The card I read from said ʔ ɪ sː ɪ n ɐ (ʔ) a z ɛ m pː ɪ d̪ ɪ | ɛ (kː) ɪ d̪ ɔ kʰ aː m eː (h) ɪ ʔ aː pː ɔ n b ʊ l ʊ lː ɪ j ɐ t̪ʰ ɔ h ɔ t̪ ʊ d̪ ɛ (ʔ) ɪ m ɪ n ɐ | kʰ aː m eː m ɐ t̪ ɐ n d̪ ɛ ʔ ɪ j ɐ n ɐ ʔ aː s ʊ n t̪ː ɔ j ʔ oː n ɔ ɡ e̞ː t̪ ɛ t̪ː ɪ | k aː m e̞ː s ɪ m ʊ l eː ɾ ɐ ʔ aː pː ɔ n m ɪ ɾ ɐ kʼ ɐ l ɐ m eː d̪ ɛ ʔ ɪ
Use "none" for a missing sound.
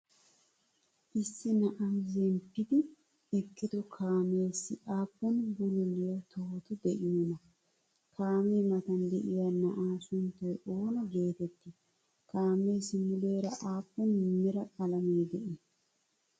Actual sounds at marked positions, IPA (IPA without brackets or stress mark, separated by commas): ʔ, kː, s, ʔ